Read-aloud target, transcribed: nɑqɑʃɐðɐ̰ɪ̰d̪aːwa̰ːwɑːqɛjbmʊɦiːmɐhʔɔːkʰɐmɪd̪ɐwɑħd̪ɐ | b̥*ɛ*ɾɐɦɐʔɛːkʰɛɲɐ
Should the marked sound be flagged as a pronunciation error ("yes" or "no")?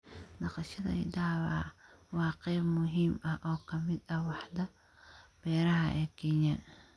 yes